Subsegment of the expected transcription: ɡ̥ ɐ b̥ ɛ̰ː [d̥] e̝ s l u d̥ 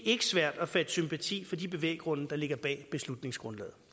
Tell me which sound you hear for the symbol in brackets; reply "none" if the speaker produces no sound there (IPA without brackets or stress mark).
b̥